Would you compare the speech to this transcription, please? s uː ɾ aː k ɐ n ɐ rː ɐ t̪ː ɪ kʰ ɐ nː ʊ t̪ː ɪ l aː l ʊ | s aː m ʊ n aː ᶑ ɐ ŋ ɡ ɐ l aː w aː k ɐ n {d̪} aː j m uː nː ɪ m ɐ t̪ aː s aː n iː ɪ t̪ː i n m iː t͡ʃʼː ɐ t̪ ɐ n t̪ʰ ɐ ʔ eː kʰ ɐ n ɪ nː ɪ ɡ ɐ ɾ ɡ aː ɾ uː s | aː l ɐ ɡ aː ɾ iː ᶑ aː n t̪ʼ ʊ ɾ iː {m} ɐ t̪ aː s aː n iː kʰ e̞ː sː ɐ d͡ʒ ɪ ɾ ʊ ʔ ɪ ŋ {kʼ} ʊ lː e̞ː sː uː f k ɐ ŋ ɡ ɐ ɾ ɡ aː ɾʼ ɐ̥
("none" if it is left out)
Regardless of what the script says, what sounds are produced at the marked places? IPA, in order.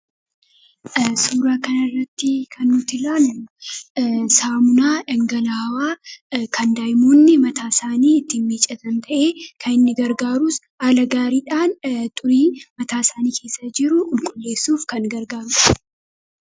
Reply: d̪, m, kʼ

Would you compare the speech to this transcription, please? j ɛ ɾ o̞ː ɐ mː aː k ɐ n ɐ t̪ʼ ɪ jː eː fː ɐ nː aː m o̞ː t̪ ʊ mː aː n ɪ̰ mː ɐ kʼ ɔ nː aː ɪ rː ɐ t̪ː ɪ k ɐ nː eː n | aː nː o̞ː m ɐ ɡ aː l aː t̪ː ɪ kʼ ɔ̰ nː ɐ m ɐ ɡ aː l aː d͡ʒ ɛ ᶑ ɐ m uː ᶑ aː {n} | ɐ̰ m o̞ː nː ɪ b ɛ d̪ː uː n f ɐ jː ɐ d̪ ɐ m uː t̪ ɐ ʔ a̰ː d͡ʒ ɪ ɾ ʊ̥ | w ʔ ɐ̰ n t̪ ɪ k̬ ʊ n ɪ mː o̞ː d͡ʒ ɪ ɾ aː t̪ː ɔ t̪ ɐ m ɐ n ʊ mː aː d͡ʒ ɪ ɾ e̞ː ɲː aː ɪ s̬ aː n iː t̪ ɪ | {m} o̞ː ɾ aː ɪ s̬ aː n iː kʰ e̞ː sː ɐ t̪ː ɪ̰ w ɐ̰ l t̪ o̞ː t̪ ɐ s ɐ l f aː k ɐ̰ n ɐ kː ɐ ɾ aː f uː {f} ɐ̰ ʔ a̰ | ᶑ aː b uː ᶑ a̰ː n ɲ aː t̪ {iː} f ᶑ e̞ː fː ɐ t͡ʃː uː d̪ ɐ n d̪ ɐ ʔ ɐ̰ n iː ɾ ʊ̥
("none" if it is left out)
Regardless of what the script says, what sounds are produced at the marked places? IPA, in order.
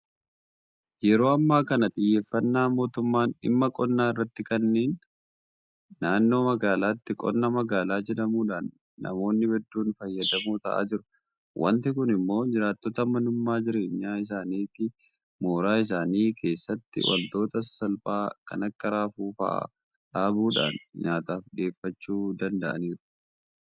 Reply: nː, m, f, aː

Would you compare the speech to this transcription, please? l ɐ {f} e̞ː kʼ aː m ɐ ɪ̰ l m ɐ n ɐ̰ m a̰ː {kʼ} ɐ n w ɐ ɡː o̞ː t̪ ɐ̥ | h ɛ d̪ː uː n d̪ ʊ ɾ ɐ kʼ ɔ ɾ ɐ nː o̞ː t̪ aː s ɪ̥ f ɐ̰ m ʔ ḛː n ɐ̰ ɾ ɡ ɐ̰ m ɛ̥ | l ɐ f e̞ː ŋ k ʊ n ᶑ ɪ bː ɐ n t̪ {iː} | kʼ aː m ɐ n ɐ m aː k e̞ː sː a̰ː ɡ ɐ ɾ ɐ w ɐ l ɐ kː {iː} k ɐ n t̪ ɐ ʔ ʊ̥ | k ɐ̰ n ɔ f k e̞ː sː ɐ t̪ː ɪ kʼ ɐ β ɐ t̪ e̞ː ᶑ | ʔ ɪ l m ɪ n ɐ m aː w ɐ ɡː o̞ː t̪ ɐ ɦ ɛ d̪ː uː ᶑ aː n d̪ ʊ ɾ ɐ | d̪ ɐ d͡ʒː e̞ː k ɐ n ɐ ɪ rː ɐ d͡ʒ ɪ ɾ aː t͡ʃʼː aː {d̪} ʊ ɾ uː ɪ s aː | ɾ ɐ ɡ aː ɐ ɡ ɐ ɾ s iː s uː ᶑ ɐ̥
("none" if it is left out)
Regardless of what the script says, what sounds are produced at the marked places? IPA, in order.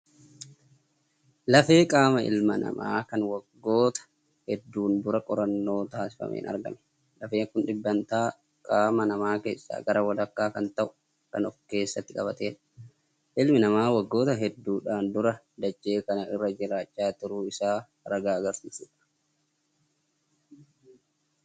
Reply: f, k, aː, aː, t̪

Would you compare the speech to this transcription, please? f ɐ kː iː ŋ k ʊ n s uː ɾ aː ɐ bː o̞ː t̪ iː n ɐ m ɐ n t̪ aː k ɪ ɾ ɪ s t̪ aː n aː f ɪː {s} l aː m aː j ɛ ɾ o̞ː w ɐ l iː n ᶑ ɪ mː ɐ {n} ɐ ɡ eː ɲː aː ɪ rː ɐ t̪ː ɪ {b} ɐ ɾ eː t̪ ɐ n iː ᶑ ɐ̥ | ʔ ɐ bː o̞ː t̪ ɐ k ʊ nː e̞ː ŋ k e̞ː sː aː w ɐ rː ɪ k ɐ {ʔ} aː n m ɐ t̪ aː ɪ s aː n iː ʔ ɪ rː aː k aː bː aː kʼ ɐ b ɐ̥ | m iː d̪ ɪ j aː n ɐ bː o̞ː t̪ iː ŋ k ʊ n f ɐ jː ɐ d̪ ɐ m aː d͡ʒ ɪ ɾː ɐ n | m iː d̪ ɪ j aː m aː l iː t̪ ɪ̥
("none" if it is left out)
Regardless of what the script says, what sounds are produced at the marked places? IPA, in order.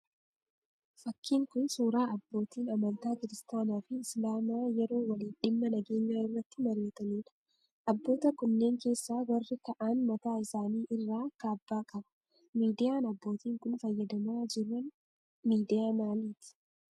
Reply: s, n, m, ʔ

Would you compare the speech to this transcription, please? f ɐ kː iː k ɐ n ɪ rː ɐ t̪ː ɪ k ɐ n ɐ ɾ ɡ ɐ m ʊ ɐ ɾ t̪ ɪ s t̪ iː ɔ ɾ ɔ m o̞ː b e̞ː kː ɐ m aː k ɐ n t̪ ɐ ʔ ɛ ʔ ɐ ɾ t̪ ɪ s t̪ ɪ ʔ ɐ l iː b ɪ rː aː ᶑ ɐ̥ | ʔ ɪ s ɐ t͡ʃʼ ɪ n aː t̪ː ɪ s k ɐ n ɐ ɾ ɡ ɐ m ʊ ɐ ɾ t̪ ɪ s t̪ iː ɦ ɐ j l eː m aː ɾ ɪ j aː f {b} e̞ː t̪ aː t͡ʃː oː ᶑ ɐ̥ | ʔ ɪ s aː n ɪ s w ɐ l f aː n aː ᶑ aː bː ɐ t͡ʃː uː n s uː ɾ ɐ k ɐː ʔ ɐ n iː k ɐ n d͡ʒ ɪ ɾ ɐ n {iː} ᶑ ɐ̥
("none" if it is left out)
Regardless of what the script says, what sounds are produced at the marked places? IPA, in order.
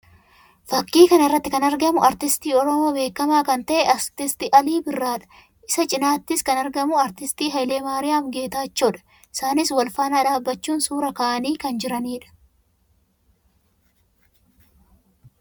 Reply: ɡ, iː

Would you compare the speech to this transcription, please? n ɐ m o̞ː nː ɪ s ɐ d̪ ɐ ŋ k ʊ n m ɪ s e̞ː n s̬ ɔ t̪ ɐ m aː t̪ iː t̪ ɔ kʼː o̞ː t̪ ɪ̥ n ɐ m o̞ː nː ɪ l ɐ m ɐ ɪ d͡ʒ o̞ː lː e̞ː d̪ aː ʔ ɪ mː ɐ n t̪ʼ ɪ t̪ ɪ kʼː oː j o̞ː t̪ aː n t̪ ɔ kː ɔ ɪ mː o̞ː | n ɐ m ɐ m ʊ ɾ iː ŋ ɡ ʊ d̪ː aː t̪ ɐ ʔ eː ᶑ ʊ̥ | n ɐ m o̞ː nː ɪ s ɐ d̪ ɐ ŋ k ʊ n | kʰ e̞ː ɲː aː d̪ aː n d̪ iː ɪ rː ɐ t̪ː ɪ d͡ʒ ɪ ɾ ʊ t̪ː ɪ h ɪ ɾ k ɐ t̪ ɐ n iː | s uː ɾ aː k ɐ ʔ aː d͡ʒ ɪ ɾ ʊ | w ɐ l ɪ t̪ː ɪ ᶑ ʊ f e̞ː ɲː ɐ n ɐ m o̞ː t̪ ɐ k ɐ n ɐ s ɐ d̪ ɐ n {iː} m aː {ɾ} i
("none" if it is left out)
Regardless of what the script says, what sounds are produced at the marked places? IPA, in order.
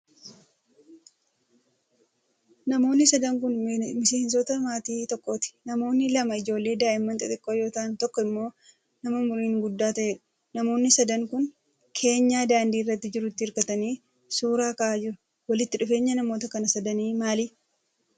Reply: iː, l

